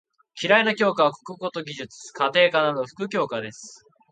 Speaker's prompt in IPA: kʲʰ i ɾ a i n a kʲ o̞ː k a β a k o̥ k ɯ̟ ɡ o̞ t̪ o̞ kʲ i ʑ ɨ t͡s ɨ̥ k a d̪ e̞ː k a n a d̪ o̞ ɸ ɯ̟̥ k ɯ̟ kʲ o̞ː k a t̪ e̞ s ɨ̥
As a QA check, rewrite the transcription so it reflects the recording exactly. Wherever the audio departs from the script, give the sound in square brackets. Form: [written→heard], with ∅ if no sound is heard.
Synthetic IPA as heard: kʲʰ i ɾ a i n a kʲ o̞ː k a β a k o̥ k ɯ̟ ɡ o̞ t̪ o̞ [kʲ→ɡʲ] i ʑ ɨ t͡s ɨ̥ k a [d̪→t̪] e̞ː k a n a d̪ o̞ ɸ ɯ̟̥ k ɯ̟ kʲ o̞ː k a [t̪→d̪] e̞ s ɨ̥